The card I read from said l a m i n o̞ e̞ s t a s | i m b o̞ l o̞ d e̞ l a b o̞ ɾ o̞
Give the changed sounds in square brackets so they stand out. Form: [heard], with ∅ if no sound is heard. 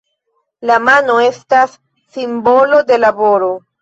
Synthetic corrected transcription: l a m [a] n o̞ e̞ s t a [sː] | i m b o̞ l o̞ d e̞ l a b o̞ ɾ o̞

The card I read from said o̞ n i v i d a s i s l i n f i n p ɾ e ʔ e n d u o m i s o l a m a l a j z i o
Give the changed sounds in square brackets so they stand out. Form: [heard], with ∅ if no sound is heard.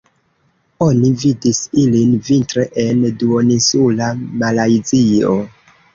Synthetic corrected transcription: o̞ n i v i d [i] s i [∅] l i n [v] i n [t] ɾ e ʔ e n d u o [n] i s [u] l a m a l a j z i o

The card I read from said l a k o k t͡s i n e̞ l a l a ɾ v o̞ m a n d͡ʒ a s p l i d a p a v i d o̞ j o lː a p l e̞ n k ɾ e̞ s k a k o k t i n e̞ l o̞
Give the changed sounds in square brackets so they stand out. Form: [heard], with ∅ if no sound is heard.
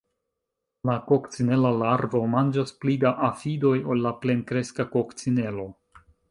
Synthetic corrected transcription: l a k o k t͡s i n e̞ l a l a ɾ v o̞ m a n d͡ʒ a s p l i d a [ʔ] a [f] i d o̞ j o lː a p l e̞ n k ɾ e̞ s k a k o k [t͡s] i n e̞ l o̞

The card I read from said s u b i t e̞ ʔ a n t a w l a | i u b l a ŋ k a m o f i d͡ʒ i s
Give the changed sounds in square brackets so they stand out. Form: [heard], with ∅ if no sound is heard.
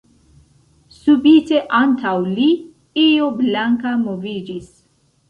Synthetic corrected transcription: s u b i t e̞ ʔ a n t a w l [i] | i [o] b l a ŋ k a m o [v] i d͡ʒ i s

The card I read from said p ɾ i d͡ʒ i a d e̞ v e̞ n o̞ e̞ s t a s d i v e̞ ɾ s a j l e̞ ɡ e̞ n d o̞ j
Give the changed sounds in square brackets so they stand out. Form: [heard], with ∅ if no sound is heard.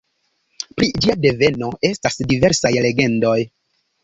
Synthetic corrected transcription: p ɾ i d͡ʒ i a d e̞ v e̞ n o̞ e̞ s t a s d i v e̞ ɾ s a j l e̞ ɡ e̞ n d o̞ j

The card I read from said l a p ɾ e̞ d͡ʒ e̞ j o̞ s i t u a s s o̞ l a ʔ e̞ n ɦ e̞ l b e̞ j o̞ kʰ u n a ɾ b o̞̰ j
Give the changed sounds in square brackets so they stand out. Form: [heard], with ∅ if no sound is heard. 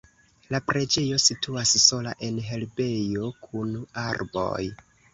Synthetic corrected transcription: l a p ɾ e̞ d͡ʒ e̞ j o̞ s i t u a s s o̞ l a ʔ e̞ n ɦ e̞ l b e̞ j o̞ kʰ u n a ɾ b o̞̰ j

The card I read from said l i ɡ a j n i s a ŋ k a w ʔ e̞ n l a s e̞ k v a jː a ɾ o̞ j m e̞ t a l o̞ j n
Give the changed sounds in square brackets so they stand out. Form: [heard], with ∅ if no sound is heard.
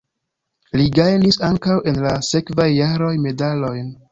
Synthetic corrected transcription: l i ɡ a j n i s a ŋ k a w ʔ e̞ n l a s e̞ k v a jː a ɾ o̞ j m e̞ [d] a l o̞ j n

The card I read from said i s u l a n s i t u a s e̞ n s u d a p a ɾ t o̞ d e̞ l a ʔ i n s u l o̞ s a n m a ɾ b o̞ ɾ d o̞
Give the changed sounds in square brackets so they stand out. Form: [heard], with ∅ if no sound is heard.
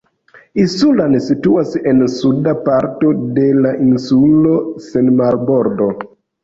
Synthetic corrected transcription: i s u l a n s i t u a s e̞ n s u d a p a ɾ t o̞ d e̞ l a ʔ i n s u l o̞ s [e] n m a ɾ b o̞ ɾ d o̞

